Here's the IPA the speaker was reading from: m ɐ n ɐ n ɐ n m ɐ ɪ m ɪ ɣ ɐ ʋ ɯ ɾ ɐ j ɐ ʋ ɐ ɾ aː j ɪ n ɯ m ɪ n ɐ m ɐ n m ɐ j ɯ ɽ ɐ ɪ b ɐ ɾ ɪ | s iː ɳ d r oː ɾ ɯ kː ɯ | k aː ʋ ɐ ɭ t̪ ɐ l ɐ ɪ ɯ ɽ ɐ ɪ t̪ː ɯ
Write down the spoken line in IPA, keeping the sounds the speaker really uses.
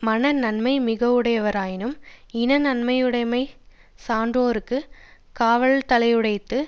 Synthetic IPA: m ɐ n ɐ n ɐ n m ɐ ɪ m ɪ ɣ ɐ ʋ ɯ ɽ ɐ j ɐ ʋ ɐ ɾ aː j ɪ n ɯ m ɪ n ɐ n ɐ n m ɐ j ɯ ɽ ɐ ɪ m ɐ ɪ | s aː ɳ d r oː ɾ ɯ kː ɯ | k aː ʋ ɐ ɭ t̪ ɐ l ɐ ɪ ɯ ɽ ɐ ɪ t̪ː ɯ